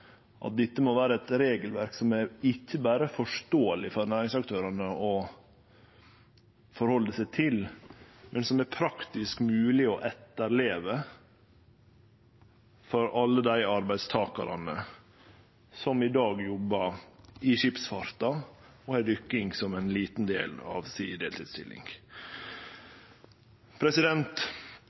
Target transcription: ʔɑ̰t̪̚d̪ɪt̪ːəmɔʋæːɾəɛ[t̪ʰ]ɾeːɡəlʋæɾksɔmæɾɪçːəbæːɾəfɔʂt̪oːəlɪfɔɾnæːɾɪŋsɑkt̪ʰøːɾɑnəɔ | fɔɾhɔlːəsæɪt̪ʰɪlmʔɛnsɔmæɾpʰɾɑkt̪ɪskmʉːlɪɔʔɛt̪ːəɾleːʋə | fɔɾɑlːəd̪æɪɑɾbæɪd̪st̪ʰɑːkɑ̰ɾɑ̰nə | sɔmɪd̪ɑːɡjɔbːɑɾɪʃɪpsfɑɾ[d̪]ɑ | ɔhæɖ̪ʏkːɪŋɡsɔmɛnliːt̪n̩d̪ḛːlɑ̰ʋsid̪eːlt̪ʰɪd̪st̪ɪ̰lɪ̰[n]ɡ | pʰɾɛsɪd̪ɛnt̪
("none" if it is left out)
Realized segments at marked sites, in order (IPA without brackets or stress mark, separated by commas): t̪, t̪, ŋ